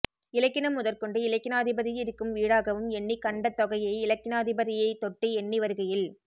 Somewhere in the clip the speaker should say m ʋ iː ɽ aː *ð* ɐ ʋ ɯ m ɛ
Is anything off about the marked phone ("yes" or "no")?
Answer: yes